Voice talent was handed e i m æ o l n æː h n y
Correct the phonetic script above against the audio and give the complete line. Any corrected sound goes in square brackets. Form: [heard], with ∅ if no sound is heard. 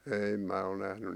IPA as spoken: e i m [æː] o l n [æ] h n y